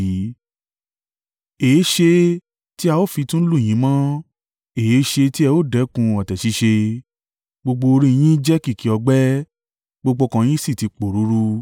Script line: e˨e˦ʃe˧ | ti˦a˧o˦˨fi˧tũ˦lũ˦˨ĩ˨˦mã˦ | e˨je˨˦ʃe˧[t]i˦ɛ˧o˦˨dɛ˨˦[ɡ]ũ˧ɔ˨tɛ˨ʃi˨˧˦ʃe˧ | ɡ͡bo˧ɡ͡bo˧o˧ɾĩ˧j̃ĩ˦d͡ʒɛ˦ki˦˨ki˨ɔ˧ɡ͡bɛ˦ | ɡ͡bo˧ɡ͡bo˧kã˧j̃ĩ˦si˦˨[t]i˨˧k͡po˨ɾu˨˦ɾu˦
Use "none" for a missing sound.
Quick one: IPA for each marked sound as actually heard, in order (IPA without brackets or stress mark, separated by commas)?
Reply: t, k, t